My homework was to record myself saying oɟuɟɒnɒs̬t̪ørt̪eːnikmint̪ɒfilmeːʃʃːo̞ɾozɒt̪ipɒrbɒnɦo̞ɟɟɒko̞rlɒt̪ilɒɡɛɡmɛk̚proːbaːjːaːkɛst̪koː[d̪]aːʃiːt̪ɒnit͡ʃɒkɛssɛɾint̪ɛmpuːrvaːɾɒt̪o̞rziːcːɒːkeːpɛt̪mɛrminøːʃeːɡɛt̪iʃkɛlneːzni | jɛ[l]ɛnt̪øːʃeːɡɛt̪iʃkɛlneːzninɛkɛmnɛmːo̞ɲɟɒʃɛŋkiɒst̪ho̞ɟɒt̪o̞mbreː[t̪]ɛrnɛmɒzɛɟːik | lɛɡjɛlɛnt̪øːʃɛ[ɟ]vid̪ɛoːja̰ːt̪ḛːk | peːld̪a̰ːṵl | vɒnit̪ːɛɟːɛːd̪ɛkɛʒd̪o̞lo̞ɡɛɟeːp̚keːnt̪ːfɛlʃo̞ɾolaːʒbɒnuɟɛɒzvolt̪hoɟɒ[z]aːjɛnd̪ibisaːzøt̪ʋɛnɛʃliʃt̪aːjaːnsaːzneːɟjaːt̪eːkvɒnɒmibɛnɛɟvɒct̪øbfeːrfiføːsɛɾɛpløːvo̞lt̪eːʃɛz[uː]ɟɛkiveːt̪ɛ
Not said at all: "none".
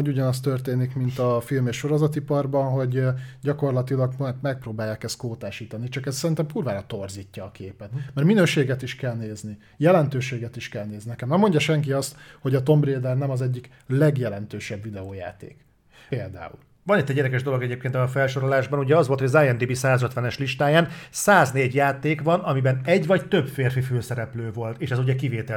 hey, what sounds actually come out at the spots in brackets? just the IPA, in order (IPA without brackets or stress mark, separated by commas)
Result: t̪, l, d̪, b, z, u